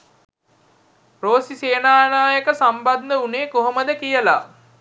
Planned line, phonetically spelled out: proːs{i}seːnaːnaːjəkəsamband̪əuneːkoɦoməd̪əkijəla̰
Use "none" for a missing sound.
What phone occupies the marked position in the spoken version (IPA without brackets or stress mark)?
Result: i